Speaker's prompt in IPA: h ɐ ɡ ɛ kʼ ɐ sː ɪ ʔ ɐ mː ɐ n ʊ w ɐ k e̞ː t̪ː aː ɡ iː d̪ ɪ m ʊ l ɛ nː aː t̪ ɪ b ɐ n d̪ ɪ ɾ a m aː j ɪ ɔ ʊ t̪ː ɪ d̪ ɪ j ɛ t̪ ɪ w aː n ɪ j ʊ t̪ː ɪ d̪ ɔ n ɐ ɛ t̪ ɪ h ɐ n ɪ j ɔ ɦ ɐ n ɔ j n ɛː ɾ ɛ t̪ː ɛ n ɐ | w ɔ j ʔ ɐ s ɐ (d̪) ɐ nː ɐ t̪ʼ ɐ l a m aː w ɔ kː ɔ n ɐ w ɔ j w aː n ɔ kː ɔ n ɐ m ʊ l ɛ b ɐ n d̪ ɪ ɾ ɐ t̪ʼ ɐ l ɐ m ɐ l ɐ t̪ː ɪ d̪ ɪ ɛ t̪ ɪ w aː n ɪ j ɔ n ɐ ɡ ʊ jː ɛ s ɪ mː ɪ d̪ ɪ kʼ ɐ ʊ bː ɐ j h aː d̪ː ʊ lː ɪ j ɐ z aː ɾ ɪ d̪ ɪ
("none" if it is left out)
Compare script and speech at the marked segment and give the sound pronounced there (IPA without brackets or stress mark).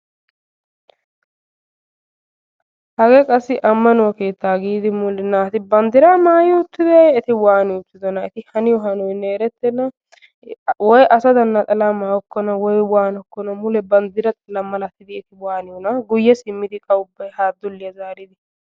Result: d̪